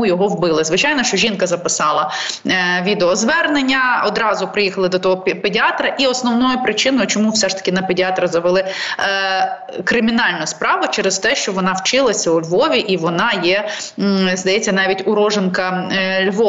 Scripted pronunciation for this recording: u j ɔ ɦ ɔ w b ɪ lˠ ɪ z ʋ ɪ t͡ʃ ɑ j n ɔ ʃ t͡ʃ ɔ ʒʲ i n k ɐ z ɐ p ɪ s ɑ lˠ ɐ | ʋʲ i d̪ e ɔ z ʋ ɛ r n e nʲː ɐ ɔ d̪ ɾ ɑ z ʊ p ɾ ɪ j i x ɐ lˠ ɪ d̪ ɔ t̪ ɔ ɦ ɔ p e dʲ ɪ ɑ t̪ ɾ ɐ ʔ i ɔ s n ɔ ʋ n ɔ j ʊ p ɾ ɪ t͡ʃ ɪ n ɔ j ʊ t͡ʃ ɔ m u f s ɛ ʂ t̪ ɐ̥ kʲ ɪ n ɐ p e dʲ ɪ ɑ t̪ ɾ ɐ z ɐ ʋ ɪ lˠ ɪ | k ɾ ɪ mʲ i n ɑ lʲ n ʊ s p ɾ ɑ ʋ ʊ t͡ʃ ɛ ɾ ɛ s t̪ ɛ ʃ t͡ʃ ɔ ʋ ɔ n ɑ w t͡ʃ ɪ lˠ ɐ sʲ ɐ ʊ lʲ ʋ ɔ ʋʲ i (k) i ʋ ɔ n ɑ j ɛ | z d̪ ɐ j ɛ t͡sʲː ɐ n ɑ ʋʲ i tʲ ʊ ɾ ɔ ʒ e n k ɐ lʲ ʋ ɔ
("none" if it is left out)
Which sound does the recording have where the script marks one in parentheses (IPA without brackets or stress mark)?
ʔ